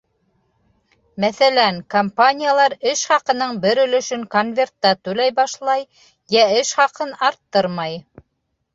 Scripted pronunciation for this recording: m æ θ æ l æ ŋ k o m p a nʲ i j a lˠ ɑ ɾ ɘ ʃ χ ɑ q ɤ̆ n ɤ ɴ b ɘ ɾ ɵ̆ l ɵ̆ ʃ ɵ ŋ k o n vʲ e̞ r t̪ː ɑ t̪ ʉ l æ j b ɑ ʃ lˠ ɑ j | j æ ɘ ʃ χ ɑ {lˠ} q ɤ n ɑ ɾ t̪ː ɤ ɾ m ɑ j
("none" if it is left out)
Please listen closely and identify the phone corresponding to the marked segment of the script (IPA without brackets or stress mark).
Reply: none